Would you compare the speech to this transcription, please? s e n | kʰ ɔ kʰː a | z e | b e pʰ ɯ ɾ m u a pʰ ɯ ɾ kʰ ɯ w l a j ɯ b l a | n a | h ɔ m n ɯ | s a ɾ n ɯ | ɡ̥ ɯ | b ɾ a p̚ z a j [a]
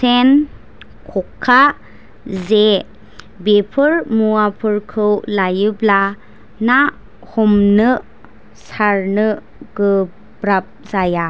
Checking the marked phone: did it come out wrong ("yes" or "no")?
no